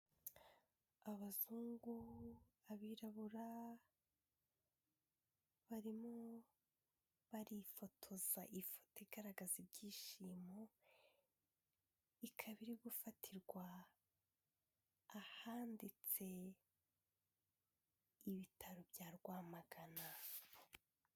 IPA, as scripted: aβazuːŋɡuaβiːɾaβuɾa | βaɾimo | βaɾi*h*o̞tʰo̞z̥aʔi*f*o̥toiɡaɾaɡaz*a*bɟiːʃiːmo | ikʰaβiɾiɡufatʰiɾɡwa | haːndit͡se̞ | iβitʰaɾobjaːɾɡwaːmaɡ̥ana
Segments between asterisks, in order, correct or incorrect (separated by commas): incorrect, correct, incorrect